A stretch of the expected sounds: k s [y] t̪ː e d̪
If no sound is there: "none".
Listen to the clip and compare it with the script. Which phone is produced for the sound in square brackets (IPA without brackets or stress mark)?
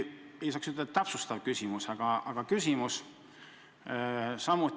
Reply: y